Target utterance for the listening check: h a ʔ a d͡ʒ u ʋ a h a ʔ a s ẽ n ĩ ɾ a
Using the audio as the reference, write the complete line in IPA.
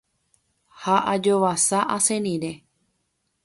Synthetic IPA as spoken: h a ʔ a d͡ʒ o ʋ a s a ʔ a s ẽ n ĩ ɾ e